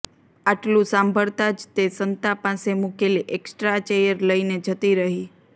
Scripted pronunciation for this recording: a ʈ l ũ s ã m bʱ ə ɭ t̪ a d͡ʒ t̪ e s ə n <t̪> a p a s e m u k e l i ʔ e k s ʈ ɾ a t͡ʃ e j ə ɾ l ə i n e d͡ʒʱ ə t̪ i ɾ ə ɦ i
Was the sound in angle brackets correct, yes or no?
yes